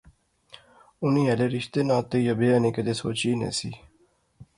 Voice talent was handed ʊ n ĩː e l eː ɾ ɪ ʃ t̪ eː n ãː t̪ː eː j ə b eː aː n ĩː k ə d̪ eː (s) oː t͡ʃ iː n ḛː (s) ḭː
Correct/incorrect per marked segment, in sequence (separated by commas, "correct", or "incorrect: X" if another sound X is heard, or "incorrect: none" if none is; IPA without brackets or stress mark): correct, correct